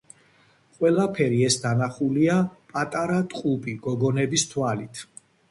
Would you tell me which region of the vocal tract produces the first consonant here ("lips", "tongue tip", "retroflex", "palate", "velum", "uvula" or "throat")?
uvula